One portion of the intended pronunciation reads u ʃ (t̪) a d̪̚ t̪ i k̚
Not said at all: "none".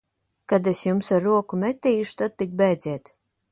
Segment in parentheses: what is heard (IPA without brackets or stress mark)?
t̪